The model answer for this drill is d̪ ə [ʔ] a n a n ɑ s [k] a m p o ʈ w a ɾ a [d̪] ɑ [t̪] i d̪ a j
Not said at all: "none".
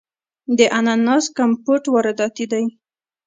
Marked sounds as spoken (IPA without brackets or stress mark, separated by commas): ʔ, k, d̪, t̪